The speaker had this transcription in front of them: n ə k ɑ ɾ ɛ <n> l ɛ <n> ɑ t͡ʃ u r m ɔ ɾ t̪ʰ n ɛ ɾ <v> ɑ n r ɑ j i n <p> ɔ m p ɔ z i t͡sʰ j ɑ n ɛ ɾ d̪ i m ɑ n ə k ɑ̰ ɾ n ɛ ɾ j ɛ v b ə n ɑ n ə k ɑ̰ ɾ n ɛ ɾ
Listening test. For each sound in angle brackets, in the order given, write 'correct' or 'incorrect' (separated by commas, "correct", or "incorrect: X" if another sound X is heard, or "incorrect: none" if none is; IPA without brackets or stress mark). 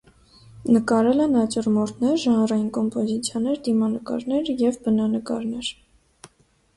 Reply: incorrect: none, correct, incorrect: ʒ, incorrect: k